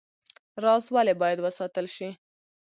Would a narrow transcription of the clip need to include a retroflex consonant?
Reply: no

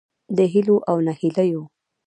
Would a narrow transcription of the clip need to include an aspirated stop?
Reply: no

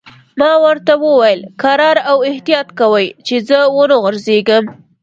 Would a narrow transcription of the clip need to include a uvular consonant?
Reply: no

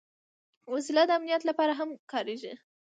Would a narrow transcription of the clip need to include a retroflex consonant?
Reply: no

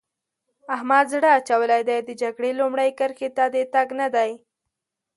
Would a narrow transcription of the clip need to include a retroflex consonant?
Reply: yes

